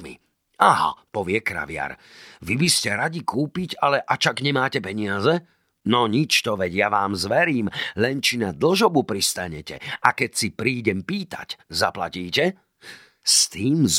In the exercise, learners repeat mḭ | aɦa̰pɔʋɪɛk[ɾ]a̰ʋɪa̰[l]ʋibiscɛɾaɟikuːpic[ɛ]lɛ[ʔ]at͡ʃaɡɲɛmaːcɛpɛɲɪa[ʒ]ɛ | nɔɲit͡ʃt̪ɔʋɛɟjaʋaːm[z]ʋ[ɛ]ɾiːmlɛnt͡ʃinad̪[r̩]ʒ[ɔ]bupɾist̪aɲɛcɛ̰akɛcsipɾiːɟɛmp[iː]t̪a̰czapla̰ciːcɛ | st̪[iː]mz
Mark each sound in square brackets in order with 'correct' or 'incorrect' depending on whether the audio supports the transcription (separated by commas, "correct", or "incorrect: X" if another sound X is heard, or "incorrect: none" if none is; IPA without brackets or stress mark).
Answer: correct, incorrect: ɾ, incorrect: a, correct, incorrect: z, correct, correct, incorrect: l̩, correct, correct, correct